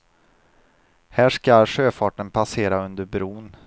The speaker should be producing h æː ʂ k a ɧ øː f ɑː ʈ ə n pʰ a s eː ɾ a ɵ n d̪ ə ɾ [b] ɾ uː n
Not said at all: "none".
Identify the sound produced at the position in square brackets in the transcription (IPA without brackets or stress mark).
b